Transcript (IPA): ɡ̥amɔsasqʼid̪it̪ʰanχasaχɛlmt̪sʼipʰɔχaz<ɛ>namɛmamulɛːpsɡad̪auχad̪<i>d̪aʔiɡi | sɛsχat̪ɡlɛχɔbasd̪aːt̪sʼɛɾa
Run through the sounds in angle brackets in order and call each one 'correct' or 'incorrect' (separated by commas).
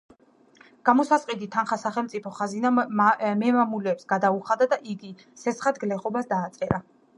incorrect, incorrect